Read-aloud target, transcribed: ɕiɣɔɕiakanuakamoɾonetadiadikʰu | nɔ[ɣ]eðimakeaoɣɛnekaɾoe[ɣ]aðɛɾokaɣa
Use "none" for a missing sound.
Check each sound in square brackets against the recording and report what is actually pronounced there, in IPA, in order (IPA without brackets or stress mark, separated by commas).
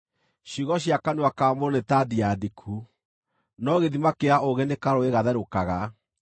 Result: ɣ, ɣ